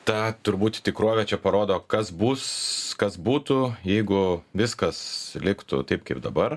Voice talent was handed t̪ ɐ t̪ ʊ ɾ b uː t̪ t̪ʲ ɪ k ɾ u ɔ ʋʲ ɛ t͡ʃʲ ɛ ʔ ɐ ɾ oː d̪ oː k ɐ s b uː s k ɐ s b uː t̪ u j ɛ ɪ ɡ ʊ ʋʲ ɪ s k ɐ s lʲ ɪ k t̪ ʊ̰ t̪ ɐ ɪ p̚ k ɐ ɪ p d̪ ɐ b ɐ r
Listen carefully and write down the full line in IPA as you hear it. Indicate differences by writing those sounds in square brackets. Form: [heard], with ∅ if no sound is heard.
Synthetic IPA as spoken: t̪ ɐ t̪ ʊ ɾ b uː t̪ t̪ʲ ɪ k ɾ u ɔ ʋʲ ɛ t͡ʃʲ ɛ [p] ɐ ɾ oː d̪ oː k ɐ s b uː s k ɐ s b uː t̪ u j ɛ ɪ ɡ ʊ ʋʲ ɪ s k ɐ s lʲ ɪ k t̪ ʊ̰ t̪ ɐ ɪ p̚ k ɐ ɪ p d̪ ɐ b ɐ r

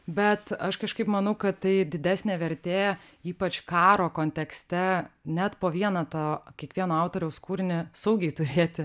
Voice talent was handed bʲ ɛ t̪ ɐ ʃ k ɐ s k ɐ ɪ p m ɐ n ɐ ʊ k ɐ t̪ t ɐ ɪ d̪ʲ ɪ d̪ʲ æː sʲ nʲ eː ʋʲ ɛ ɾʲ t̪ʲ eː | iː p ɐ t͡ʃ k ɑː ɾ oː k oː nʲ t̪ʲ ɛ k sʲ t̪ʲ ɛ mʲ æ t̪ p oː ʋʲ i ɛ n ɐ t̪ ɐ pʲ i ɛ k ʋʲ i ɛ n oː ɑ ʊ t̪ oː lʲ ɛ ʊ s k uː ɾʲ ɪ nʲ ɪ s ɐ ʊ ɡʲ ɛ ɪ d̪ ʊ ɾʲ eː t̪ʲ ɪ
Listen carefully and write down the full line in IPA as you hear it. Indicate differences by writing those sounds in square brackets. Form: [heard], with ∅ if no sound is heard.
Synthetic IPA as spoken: bʲ ɛ t̪ ɐ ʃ k ɐ [ʃ] k ɐ ɪ p m ɐ n ɐ ʊ k ɐ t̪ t ɐ ɪ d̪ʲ ɪ d̪ʲ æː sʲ nʲ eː ʋʲ ɛ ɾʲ t̪ʲ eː | iː p ɐ t͡ʃ k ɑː ɾ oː k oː nʲ t̪ʲ ɛ k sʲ t̪ʲ ɛ [nʲ] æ t̪ p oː ʋʲ i ɛ n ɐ t̪ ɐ [kʲ] i ɛ k ʋʲ i ɛ n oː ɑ ʊ t̪ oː [ɾʲ] ɛ ʊ s k uː ɾʲ ɪ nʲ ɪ s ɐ ʊ ɡʲ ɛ ɪ [t̪] ʊ ɾʲ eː t̪ʲ ɪ

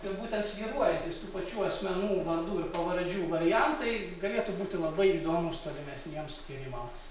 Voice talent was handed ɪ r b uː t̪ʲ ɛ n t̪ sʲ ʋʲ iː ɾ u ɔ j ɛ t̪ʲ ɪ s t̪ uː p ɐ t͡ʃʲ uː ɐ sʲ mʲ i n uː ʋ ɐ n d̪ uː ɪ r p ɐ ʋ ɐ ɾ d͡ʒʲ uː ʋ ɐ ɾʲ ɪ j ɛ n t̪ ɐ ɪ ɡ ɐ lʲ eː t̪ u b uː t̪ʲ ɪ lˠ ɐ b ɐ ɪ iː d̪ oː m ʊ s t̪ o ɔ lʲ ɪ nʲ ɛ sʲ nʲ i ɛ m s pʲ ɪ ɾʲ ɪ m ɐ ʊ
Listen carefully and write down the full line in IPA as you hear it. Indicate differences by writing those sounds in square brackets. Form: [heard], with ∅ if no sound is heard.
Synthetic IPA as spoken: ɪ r b uː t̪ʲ ɛ n t̪ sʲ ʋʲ iː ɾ u ɔ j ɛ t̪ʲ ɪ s t̪ uː p ɐ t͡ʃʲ uː ɐ sʲ mʲ [ɛ] n uː ʋ ɐ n d̪ uː ɪ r p ɐ ʋ ɐ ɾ d͡ʒʲ uː ʋ ɐ ɾʲ ɪ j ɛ n t̪ ɐ ɪ ɡ ɐ lʲ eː t̪ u b uː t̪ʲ ɪ lˠ ɐ b ɐ ɪ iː d̪ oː m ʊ s t̪ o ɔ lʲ ɪ [mʲ] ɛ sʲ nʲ i ɛ m s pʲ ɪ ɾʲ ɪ m ɐ ʊ

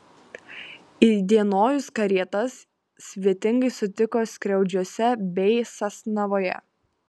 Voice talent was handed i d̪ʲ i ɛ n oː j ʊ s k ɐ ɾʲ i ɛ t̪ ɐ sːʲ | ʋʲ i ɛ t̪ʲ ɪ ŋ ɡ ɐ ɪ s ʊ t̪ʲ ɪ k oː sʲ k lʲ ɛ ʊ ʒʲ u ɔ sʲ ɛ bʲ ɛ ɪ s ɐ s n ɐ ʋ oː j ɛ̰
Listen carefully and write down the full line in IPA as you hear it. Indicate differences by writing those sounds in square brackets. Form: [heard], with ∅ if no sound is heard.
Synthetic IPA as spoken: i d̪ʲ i ɛ n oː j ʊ s k ɐ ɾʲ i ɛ t̪ ɐ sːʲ | ʋʲ i ɛ t̪ʲ ɪ ŋ ɡ ɐ ɪ s ʊ t̪ʲ ɪ k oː sʲ k [ɾʲ] ɛ ʊ [d͡ʒʲ] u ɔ sʲ ɛ bʲ ɛ ɪ s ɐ s n ɐ ʋ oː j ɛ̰

